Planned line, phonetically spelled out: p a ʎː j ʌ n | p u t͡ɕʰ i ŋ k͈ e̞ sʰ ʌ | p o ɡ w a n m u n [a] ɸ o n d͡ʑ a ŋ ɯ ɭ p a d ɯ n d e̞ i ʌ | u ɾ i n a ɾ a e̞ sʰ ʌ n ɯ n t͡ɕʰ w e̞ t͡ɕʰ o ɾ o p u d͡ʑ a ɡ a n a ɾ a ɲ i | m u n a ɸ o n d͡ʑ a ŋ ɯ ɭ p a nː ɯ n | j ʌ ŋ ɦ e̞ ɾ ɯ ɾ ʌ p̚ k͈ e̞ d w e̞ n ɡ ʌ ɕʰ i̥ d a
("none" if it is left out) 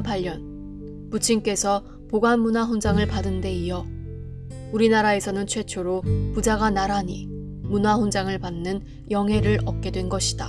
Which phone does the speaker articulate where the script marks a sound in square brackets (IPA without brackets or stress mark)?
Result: a